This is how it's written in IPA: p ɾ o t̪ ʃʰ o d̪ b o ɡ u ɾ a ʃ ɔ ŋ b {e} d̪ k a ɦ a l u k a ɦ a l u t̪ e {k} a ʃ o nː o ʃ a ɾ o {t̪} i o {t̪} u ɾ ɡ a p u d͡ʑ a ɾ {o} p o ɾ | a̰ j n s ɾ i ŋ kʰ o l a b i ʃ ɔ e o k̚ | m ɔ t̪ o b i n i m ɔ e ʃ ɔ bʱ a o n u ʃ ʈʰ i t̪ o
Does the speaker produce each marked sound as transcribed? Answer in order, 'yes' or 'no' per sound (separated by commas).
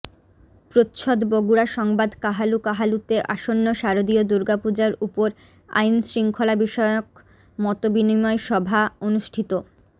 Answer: no, no, no, no, no